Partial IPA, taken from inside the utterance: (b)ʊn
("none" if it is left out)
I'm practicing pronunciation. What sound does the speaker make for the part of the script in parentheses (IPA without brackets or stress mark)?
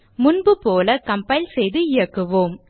m